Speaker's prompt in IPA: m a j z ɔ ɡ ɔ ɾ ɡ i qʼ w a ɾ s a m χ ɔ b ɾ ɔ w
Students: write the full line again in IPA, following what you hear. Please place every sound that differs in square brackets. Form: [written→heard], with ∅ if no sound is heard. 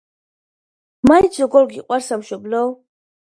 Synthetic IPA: m a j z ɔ ɡ ɔ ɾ ɡ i qʼ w a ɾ s a m [χ→ʃ] ɔ b [ɾ→l] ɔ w